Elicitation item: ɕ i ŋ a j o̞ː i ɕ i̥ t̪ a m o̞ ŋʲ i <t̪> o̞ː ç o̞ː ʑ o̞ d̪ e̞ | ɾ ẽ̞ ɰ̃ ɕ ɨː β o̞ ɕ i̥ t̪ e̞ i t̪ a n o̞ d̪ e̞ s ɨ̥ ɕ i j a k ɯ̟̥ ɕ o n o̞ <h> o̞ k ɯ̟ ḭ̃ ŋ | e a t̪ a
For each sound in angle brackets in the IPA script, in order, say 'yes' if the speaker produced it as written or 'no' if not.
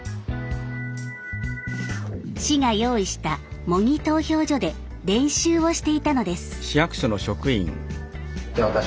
yes, no

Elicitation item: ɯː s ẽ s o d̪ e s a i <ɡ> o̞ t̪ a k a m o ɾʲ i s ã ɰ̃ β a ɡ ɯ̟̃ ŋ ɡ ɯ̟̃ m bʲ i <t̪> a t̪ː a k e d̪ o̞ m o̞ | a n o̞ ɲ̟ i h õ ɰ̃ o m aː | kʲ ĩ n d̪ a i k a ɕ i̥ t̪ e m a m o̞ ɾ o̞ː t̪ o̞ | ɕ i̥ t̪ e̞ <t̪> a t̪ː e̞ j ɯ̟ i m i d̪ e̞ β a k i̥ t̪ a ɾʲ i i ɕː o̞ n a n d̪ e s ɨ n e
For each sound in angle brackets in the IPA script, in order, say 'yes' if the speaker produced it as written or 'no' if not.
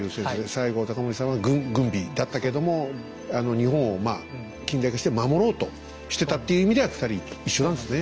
yes, no, yes

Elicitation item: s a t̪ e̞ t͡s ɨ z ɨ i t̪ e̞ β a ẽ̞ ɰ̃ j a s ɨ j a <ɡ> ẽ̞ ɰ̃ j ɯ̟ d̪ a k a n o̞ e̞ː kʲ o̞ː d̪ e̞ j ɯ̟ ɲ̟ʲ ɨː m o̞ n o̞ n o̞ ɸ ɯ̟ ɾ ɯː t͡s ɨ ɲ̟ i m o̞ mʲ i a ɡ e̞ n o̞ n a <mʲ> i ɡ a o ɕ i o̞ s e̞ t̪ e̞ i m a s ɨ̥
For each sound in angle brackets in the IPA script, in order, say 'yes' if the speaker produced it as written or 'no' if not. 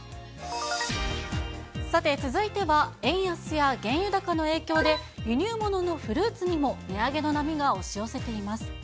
yes, yes

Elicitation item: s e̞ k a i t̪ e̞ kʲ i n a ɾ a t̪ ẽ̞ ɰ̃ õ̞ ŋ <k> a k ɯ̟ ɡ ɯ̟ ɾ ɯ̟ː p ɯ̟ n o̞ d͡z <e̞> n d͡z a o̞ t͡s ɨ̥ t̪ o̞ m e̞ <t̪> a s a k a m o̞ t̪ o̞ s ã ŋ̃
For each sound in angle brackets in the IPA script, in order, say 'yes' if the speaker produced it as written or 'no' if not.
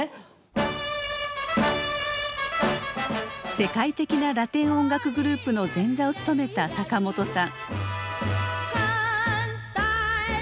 no, no, yes

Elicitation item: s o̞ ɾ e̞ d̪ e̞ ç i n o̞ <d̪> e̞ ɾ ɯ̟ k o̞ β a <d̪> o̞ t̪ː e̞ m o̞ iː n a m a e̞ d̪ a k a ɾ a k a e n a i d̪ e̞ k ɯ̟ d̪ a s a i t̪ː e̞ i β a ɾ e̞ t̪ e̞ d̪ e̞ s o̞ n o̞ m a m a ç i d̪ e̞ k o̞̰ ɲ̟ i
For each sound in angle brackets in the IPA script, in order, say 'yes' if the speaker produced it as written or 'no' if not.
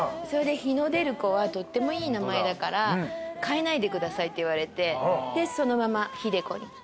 yes, no

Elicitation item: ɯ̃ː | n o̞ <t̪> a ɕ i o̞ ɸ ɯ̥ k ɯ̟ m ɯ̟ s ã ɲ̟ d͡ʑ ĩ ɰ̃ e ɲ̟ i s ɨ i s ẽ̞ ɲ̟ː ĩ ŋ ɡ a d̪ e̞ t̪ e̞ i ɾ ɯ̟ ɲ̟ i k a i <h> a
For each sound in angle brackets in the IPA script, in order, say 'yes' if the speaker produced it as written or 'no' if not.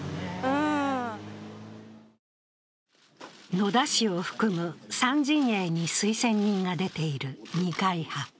no, yes

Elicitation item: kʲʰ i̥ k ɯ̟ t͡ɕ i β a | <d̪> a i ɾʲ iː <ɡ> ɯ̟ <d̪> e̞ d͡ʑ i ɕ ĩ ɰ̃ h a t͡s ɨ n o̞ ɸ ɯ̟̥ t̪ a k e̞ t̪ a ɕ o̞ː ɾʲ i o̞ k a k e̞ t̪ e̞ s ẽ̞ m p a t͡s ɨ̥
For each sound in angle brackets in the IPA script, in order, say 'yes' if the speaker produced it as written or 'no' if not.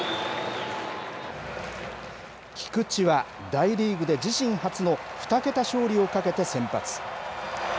yes, yes, yes

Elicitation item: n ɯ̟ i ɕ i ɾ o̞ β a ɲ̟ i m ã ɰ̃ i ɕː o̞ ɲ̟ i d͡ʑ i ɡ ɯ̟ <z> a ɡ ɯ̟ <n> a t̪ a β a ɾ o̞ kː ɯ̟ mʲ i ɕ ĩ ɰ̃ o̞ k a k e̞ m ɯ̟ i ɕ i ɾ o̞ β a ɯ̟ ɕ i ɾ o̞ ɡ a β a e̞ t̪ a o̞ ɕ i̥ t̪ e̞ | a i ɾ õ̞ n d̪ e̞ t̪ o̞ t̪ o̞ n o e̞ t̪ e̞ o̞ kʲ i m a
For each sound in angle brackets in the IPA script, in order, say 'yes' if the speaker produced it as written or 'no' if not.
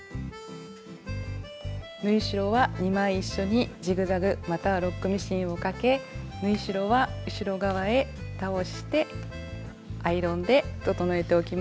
yes, no

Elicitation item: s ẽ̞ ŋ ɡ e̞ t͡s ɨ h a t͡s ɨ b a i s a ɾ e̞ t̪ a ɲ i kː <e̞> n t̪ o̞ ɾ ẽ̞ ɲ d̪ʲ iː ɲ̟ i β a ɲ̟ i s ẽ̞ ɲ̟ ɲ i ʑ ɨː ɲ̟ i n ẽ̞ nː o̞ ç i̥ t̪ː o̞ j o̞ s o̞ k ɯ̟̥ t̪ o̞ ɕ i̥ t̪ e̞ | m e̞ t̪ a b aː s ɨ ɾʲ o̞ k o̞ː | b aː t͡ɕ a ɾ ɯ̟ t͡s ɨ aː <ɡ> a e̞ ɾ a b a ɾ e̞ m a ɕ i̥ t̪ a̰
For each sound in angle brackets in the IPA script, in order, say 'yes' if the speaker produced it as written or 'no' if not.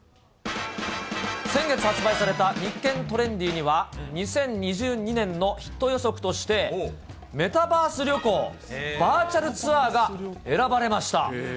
no, yes

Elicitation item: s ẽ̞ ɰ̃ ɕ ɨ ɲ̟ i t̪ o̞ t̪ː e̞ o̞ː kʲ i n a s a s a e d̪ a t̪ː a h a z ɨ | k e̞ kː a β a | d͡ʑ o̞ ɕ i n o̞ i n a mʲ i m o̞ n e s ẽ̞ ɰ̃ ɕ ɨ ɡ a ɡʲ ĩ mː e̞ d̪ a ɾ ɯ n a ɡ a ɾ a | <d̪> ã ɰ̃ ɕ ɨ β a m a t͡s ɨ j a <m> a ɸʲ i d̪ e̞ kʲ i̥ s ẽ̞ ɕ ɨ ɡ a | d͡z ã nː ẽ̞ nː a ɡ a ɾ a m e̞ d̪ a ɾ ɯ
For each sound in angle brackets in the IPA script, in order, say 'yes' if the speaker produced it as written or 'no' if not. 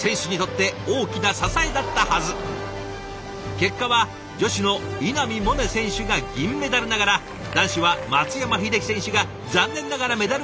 yes, yes

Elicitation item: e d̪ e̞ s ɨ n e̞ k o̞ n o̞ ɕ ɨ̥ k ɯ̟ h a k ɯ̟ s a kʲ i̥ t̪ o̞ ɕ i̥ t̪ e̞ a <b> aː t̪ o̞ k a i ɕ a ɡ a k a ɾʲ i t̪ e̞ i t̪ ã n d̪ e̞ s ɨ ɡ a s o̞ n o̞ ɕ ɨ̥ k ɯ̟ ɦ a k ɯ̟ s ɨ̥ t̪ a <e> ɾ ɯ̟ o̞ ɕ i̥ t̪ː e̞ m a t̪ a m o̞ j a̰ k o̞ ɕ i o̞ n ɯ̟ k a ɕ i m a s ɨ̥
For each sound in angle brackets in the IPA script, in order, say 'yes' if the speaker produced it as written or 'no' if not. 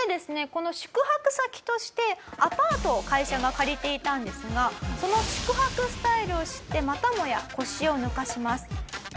no, no

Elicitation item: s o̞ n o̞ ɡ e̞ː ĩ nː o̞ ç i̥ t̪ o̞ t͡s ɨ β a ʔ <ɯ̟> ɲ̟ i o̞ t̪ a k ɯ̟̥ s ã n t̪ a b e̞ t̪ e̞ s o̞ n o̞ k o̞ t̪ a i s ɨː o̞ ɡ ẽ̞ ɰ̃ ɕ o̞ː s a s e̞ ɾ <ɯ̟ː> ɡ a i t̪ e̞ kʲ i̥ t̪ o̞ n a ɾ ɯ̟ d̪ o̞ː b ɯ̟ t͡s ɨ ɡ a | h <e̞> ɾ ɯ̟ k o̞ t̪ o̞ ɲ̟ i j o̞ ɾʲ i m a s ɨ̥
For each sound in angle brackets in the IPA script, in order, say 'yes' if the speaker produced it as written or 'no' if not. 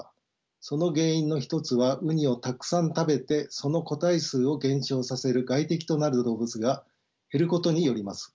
yes, no, yes

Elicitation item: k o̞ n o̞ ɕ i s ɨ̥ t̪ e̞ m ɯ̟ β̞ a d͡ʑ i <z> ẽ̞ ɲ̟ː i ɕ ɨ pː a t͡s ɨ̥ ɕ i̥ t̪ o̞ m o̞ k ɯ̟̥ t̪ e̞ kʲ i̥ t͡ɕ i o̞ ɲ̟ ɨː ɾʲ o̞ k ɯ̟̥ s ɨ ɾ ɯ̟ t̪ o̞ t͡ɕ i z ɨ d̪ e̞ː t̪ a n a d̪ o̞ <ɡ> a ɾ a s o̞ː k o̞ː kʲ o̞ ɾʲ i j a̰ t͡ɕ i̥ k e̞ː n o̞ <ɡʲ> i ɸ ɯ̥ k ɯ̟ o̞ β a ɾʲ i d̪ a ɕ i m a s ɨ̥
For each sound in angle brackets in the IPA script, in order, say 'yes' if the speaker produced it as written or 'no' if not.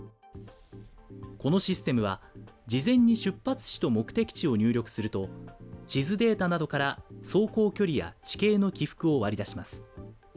yes, no, no

